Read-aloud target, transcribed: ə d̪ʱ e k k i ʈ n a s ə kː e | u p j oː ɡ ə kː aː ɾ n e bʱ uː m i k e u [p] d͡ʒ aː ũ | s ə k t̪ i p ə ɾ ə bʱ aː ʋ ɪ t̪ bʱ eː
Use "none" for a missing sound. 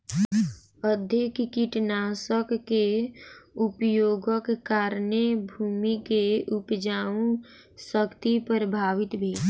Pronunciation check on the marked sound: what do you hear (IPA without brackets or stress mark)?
p